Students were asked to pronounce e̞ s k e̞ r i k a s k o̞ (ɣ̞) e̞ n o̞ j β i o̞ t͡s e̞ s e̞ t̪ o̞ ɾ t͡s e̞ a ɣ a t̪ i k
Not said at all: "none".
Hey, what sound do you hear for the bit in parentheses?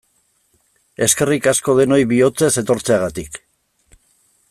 ð̞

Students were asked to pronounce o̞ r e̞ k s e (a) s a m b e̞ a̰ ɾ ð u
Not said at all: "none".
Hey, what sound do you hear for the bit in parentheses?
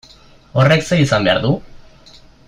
i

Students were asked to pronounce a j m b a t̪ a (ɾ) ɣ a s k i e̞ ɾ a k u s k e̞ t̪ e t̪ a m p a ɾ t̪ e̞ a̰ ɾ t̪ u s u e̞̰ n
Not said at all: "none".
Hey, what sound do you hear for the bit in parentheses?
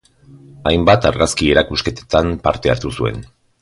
ɾ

